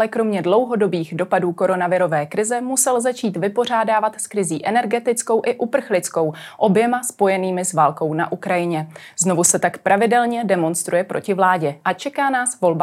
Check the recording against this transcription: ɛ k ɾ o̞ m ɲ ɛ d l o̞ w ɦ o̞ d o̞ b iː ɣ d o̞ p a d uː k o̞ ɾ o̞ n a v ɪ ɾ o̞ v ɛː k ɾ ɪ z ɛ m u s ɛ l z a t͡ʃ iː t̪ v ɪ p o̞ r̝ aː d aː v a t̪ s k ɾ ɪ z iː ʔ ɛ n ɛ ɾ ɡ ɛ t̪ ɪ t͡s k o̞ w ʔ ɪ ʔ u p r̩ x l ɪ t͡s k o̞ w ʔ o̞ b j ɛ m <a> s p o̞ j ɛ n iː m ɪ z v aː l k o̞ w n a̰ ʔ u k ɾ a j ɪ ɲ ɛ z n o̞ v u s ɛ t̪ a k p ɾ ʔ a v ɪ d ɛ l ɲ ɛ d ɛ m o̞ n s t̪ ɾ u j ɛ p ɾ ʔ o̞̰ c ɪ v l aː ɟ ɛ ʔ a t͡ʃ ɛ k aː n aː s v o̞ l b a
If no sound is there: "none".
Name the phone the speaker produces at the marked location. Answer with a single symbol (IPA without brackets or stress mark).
a